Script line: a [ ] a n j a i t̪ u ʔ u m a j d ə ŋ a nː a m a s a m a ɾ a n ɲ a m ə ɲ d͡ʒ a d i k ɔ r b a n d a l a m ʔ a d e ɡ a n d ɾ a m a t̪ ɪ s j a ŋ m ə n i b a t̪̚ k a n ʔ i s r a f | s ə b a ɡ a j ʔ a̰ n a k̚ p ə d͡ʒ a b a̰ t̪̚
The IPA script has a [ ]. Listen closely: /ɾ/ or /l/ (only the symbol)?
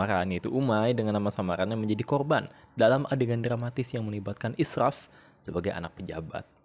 ɾ